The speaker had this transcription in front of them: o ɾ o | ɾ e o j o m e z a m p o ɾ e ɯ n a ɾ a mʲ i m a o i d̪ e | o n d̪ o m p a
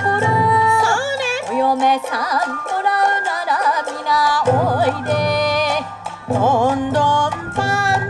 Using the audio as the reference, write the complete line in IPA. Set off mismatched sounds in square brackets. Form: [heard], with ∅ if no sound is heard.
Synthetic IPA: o ɾ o | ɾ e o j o m e [s] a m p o ɾ [a] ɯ n a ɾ a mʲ i [n] a o i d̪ e | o n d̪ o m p a